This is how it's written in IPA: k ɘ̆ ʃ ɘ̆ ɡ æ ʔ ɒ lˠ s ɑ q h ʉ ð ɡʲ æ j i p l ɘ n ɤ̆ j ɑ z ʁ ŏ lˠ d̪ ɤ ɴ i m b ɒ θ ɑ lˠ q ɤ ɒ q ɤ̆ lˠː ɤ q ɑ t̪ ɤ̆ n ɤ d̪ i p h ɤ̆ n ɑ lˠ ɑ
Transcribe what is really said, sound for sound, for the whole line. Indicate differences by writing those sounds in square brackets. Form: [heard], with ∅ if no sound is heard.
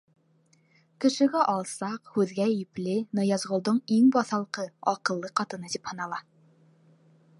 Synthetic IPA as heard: k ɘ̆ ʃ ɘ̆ ɡ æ ʔ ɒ lˠ s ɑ q h ʉ ð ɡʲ æ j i p l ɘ n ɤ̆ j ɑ z ʁ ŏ lˠ d̪ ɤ ɴ i [ŋ] b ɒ θ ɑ lˠ q ɤ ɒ q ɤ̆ lˠː ɤ q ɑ t̪ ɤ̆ n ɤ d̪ i p h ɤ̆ n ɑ lˠ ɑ

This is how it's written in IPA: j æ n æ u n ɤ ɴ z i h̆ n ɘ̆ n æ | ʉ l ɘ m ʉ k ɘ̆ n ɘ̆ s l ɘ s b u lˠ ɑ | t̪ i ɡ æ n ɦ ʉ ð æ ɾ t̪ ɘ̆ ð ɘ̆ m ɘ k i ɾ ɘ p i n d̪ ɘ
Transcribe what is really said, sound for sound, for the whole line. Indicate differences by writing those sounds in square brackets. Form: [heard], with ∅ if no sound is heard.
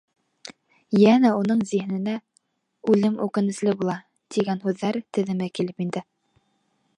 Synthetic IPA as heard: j æ n æ u n ɤ ɴ z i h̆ n ɘ̆ n æ | ʉ l ɘ m ʉ k ɘ̆ n ɘ̆ s l ɘ [∅] b u lˠ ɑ | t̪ i ɡ æ n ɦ ʉ [ðː] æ ɾ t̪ ɘ̆ ð ɘ̆ m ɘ k i [l] ɘ p i n d̪ ɘ

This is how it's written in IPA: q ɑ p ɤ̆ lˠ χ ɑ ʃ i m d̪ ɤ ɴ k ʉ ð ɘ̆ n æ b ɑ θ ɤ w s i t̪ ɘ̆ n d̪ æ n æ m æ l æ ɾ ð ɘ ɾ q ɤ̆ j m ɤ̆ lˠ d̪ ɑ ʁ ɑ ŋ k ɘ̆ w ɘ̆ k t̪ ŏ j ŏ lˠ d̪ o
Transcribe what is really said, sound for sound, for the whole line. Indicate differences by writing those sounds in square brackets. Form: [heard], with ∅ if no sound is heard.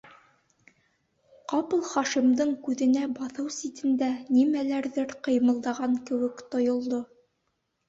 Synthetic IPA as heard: q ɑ p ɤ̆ lˠ χ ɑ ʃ i m d̪ ɤ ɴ k ʉ ð ɘ̆ n æ b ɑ θ ɤ w s i t̪ ɘ̆ n d̪ æ n [i] m æ l æ ɾ ð ɘ ɾ q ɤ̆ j m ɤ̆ lˠ d̪ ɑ ʁ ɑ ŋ k ɘ̆ w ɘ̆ k t̪ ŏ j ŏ lˠ d̪ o

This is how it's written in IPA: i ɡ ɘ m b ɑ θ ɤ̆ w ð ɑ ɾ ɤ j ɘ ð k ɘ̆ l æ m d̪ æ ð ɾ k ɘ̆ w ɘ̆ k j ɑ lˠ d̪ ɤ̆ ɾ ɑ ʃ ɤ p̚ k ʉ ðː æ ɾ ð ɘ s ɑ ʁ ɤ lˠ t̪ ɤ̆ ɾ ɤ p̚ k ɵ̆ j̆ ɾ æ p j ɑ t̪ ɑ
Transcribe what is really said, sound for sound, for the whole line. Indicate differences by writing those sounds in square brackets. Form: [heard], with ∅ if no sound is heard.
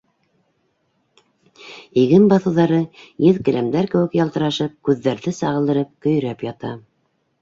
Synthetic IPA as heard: i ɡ ɘ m b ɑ θ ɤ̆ w ð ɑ ɾ ɤ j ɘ ð k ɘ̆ l æ m d̪ æ [∅] ɾ k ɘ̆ w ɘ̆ k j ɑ lˠ [t̪] ɤ̆ ɾ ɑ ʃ ɤ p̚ k ʉ ðː æ ɾ ð ɘ s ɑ ʁ ɤ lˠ [d̪] ɤ̆ ɾ ɤ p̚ k ɵ̆ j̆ ɾ æ p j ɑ t̪ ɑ

